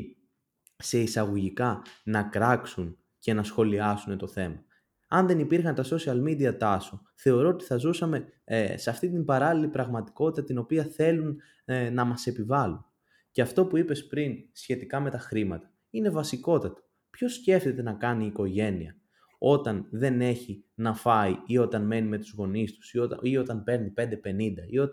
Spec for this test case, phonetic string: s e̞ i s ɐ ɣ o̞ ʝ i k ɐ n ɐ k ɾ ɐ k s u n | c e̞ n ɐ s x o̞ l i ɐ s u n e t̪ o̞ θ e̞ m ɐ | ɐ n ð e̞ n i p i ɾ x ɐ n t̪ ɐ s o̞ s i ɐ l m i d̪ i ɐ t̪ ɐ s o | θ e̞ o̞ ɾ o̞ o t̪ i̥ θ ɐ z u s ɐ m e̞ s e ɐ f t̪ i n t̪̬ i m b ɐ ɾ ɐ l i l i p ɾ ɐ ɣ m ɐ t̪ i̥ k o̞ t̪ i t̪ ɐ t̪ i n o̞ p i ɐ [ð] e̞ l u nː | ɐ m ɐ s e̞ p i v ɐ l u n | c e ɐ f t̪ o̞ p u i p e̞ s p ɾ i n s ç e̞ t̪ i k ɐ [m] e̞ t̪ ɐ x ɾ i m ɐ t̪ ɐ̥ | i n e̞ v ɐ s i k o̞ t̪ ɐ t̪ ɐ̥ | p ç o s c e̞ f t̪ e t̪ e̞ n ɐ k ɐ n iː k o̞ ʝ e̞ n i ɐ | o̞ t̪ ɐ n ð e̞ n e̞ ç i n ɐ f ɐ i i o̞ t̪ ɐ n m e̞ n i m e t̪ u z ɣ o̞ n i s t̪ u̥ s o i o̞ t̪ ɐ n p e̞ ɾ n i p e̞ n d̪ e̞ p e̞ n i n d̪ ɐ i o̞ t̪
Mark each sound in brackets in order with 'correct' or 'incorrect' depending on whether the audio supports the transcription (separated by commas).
incorrect, correct